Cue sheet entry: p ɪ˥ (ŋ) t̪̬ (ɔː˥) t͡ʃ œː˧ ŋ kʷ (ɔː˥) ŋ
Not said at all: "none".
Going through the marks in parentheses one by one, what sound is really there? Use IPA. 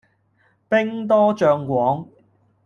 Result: ŋ, ɔː˥, ɔː˨˥

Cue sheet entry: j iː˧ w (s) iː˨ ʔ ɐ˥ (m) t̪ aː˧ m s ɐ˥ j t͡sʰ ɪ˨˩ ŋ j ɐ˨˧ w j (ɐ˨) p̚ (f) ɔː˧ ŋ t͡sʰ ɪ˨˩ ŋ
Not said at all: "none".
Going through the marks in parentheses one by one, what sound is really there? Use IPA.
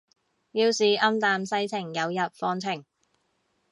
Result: s, m, ɐ˨, f

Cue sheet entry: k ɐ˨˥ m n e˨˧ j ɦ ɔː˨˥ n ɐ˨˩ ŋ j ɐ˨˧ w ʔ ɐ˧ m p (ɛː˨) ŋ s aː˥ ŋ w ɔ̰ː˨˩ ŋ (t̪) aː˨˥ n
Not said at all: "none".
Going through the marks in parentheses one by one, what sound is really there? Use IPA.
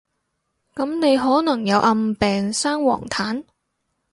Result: ɛː˨, t̪ʰ

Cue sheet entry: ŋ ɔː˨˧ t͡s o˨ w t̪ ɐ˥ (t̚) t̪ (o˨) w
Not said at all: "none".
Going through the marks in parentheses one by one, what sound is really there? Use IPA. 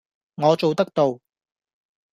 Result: k̚, o˨

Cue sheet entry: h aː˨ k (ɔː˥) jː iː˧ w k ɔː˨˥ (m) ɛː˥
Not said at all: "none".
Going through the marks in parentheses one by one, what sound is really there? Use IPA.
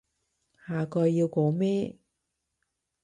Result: ɔː˧, m

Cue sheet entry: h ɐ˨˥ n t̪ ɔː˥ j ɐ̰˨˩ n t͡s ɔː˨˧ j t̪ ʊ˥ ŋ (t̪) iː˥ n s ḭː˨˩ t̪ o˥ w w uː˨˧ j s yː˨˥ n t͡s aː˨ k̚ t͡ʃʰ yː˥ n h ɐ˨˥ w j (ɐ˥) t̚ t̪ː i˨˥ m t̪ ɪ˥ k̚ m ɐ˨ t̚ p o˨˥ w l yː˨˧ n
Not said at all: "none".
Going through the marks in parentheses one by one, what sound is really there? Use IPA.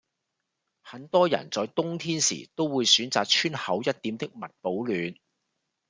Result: t̪ʰ, ɐ˥

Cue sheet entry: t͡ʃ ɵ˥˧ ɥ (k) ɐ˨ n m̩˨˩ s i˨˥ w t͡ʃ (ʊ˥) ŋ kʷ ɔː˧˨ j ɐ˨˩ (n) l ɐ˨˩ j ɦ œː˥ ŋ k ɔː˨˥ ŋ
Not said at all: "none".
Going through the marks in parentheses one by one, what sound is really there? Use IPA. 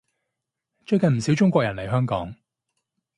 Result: k, ʊ˥, n

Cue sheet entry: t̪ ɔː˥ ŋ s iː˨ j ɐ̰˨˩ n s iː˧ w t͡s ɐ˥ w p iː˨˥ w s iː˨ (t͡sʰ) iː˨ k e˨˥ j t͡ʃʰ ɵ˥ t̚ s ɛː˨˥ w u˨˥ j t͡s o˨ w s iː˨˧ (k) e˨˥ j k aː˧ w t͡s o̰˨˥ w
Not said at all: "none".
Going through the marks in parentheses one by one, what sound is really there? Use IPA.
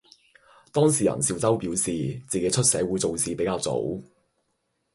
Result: t͡s, p

